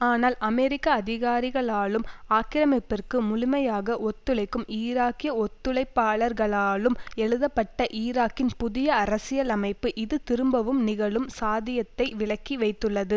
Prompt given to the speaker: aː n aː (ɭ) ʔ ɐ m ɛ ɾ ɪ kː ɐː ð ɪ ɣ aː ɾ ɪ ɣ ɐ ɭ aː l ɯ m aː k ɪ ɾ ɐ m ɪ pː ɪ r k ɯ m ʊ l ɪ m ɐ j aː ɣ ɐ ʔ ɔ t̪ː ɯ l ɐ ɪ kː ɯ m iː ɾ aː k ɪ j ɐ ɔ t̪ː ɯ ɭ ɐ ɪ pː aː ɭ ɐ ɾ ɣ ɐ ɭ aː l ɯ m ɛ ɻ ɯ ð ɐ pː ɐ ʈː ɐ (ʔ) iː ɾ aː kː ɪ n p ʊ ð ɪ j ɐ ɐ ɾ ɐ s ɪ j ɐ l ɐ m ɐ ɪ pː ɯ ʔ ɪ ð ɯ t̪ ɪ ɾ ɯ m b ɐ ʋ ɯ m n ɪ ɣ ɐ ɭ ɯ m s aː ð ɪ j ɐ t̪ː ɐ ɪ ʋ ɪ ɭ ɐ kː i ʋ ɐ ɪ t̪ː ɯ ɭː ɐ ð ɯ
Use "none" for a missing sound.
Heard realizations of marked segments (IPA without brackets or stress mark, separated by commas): l, ʔ